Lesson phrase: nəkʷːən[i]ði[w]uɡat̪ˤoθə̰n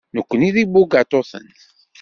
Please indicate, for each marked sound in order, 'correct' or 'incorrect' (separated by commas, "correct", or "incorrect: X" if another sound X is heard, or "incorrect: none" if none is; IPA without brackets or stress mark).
correct, incorrect: b